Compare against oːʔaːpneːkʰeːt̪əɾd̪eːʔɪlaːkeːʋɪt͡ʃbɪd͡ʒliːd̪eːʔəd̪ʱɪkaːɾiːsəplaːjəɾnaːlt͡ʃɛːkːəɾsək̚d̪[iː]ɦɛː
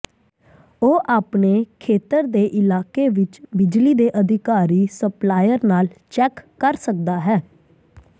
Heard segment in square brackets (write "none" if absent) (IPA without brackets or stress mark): aː